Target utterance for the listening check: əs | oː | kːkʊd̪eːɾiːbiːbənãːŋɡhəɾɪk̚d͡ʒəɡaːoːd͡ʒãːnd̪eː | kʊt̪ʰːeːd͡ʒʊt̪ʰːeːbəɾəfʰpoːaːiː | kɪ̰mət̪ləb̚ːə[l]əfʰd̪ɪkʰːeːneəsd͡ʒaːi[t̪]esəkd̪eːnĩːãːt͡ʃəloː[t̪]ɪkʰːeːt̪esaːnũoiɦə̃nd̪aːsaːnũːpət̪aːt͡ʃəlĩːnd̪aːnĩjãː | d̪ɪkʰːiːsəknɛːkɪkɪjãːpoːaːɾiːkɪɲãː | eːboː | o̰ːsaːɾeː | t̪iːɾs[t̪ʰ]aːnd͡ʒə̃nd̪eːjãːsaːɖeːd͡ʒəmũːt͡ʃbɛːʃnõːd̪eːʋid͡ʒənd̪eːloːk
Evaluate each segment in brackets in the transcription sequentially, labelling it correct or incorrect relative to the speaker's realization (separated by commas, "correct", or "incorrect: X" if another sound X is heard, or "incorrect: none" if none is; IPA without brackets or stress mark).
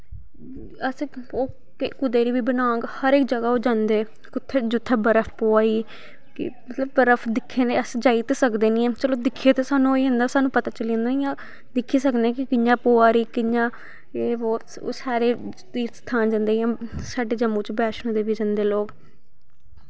incorrect: ɾ, correct, incorrect: d̪, correct